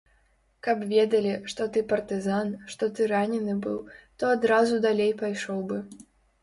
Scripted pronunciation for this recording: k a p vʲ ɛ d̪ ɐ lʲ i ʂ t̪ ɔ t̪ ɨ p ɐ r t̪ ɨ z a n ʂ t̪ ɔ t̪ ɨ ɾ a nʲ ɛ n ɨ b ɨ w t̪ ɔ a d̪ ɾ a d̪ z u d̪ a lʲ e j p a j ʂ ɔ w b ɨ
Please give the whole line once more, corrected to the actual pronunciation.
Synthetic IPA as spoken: k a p vʲ ɛ d̪ ɐ lʲ i ʂ t̪ ɔ t̪ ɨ p ɐ r t̪ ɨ z a n ʂ t̪ ɔ t̪ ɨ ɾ a nʲ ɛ n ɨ b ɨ w t̪ ɔ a d̪ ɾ a z u d̪ a lʲ e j p a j ʂ ɔ w b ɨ